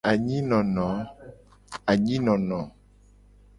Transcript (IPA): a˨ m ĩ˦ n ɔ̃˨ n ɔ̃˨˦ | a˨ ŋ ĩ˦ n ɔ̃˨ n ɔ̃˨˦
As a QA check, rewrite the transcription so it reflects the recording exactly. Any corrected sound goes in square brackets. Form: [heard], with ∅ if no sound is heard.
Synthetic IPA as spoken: a˨ [ɲ] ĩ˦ n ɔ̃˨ n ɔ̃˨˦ | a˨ [ɲ] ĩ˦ n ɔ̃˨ n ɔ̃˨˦